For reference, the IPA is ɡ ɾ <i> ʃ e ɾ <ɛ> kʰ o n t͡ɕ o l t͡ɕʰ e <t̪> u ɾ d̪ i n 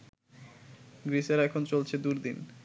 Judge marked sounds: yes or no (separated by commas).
yes, yes, no